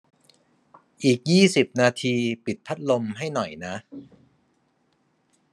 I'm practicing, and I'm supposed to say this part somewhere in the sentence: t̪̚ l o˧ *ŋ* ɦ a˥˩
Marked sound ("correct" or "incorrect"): incorrect